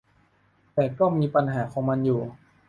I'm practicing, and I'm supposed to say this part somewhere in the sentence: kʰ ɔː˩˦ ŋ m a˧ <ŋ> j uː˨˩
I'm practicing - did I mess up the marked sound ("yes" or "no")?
yes